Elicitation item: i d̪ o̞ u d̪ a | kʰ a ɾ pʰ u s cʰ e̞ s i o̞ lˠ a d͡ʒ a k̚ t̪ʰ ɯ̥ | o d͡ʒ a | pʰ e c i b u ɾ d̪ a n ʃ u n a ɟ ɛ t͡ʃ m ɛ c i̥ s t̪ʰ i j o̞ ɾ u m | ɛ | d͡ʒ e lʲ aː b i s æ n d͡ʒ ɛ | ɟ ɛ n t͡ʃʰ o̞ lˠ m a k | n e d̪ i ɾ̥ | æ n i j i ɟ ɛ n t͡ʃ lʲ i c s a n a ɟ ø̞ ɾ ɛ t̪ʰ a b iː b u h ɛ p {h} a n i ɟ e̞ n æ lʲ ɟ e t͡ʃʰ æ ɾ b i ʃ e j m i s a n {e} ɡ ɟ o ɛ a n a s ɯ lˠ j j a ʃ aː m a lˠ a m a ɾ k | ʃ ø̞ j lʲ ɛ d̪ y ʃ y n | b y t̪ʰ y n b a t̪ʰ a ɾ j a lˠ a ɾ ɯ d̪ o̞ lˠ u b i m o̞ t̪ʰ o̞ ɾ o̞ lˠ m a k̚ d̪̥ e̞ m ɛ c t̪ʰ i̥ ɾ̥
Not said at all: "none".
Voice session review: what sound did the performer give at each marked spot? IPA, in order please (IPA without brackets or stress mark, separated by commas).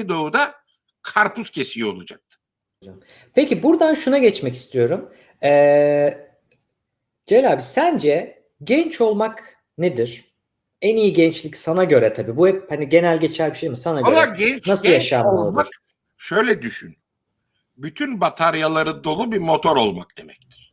h, a